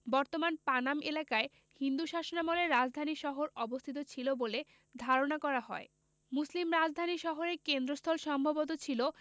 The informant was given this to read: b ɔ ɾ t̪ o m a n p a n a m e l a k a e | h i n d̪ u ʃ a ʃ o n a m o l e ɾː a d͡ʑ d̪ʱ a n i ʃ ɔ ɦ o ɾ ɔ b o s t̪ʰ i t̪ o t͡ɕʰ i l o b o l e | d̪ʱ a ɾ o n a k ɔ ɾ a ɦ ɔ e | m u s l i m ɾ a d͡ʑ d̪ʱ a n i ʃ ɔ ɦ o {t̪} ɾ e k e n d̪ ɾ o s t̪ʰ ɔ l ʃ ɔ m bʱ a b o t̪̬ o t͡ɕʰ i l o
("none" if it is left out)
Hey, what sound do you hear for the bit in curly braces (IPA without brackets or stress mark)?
none